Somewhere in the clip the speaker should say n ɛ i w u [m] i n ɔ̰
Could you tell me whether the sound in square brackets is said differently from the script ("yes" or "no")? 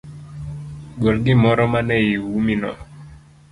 no